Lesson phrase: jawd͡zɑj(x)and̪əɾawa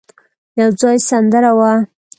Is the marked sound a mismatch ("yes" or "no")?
yes